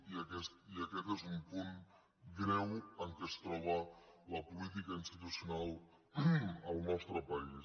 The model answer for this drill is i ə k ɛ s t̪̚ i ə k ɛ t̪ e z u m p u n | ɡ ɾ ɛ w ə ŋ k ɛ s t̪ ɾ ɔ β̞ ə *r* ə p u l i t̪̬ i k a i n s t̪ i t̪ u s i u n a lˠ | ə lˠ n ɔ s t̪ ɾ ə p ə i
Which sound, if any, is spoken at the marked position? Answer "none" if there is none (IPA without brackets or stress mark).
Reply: l